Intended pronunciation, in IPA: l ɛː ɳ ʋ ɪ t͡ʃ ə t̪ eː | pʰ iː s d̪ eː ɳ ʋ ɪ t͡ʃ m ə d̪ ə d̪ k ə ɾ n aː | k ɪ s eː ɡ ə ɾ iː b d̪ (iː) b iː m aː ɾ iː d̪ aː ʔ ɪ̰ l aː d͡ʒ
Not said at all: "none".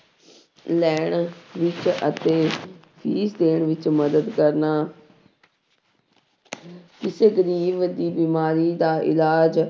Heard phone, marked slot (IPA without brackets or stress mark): iː